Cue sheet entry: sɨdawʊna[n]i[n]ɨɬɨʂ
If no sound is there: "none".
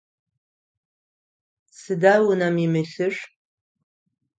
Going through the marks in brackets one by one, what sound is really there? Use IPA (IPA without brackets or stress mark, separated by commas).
m, m